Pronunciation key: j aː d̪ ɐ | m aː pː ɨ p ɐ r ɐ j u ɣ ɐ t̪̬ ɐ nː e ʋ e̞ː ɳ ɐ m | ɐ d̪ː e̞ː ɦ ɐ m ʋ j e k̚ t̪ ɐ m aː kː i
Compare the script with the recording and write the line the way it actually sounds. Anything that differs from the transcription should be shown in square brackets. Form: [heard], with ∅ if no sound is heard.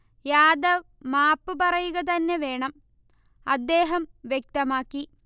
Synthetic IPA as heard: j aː d̪ ɐ | m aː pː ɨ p ɐ r ɐ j u ɣ ɐ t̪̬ ɐ nː e ʋ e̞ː ɳ ɐ m | ɐ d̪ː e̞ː ɦ ɐ m ʋ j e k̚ t̪ ɐ m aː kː i